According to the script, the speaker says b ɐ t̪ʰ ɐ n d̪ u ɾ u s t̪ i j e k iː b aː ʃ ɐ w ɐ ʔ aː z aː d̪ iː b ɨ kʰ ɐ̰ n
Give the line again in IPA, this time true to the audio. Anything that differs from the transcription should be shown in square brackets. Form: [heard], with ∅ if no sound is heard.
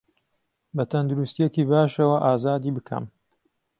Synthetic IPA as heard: b ɐ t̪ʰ ɐ n d̪ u ɾ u s t̪ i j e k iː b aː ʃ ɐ w ɐ ʔ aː z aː d̪ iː b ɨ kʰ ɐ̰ [m]